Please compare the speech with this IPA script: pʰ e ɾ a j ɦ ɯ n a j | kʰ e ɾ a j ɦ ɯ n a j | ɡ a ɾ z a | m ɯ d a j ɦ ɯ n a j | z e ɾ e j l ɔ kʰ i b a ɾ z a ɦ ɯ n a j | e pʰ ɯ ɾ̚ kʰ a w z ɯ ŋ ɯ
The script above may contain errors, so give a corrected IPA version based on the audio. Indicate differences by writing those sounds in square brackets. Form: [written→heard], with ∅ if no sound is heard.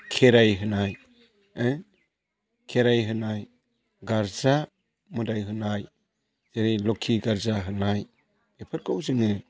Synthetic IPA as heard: [pʰ→kʰ] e ɾ a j ɦ ɯ n a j | kʰ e ɾ a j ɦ ɯ n a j | ɡ a ɾ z a | m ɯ d a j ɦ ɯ n a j | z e ɾ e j l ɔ kʰ i [b→ɡ] a ɾ z a ɦ ɯ n a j | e pʰ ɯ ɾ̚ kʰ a w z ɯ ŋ ɯ